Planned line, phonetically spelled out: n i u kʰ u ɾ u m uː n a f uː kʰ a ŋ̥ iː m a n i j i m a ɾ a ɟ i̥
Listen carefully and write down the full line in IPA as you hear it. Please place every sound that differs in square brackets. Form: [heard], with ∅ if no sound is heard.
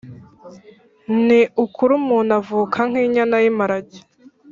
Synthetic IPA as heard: n i u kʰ u ɾ u m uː n a [v] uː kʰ a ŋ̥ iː [ɲ] a n [a] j i m a ɾ a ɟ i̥